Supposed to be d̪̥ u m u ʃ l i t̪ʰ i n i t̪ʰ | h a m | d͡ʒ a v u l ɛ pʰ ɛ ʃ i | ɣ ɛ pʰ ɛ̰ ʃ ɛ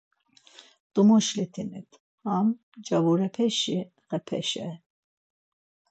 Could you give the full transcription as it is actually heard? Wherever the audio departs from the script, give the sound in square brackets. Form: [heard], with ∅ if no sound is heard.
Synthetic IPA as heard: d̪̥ u m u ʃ l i t̪ʰ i n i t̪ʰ | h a m | d͡ʒ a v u [ɾ] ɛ pʰ ɛ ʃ i | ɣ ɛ pʰ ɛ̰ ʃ ɛ